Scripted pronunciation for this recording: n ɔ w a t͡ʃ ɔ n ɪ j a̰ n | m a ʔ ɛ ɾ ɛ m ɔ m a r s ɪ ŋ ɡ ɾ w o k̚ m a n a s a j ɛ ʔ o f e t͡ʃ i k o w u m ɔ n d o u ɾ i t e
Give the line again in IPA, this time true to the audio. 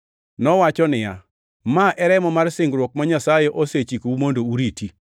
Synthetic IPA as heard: n ɔ w a t͡ʃ ɔ n ɪ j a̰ | m a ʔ ɛ ɾ ɛ m ɔ m a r s ɪ ŋ ɡ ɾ w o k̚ m a ɲ a s a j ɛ ʔ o s e t͡ʃ i k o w u m o n d o u ɾ i t i